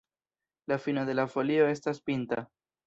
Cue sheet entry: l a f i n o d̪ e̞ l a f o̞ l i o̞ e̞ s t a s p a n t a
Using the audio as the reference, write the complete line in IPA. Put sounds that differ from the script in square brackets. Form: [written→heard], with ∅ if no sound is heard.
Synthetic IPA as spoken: l a f i n o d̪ e̞ l a f o̞ l i o̞ e̞ s t a s p [a→i] n t a